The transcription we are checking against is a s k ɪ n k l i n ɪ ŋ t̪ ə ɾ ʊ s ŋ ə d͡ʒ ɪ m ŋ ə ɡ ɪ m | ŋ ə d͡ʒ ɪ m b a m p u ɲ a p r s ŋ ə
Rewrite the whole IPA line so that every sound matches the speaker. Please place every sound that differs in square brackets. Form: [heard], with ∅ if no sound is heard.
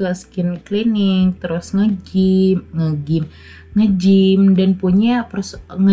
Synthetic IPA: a s k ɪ n k l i n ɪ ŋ t̪ ə ɾ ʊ s ŋ ə d͡ʒ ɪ m ŋ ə ɡ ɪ m | ŋ ə d͡ʒ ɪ m [d] a [n] p u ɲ a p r s ŋ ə